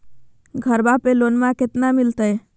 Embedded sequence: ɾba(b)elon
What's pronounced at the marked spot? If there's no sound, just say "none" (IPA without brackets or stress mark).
p